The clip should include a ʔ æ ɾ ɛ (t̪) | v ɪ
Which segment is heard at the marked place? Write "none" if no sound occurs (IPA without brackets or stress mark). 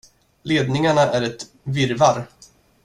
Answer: t̪